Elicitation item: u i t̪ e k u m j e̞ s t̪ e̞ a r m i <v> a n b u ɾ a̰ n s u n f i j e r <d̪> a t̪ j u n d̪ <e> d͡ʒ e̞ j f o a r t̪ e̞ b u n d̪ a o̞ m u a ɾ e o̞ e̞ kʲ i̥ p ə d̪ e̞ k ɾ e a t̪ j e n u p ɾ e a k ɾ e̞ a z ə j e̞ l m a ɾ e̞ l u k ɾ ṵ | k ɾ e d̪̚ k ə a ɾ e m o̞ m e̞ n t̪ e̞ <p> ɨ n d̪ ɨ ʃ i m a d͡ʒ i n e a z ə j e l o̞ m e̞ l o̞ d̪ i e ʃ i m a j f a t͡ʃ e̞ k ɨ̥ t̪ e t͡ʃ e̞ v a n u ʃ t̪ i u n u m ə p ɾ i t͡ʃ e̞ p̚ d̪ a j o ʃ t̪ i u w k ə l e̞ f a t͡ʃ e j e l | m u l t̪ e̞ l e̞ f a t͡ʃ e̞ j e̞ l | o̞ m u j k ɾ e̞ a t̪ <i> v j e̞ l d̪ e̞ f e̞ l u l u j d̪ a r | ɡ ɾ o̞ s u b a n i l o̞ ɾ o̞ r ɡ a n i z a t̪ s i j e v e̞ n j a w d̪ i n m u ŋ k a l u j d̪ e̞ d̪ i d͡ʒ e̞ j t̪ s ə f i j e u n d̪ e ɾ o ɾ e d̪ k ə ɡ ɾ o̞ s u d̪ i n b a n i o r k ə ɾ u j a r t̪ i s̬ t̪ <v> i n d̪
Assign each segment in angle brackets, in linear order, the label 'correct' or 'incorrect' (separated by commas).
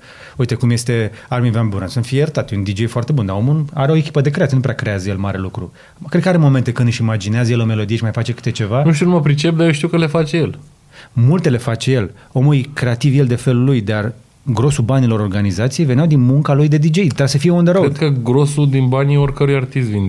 correct, incorrect, incorrect, incorrect, correct, correct